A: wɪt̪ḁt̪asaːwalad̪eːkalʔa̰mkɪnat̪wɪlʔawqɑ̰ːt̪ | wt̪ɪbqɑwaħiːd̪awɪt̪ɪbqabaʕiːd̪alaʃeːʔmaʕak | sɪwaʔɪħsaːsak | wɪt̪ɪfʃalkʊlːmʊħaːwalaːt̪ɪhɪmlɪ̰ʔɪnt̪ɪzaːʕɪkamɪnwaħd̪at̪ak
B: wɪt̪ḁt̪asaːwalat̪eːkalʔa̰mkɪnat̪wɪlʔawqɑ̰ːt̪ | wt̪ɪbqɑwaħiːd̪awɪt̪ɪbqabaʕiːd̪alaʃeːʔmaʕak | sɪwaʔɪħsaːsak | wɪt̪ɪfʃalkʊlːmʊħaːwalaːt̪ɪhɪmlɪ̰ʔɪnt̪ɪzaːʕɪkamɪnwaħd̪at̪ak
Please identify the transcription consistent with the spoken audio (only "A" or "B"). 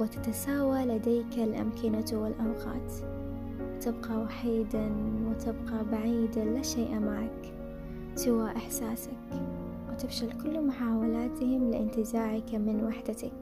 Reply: A